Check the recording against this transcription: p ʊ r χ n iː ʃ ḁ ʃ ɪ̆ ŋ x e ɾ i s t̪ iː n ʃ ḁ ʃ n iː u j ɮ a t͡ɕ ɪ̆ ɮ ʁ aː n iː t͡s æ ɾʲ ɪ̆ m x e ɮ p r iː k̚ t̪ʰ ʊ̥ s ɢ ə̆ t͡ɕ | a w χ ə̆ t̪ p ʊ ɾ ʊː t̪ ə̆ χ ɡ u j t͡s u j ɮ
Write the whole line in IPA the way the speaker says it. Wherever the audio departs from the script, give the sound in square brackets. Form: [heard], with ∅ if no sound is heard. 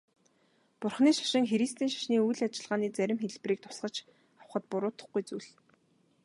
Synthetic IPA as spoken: p ʊ r χ n iː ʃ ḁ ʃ ɪ̆ ŋ x e ɾ i s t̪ iː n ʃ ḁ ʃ n iː u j ɮ a t͡ɕ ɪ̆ ɮ ʁ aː n iː t͡s æ ɾʲ ɪ̆ m x e ɮ p r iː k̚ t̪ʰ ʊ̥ s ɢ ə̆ t͡ɕ | a w χ ə̆ t̪ p ʊ ɾ ʊː t̪ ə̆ χ ɡ u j t͡s u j ɮ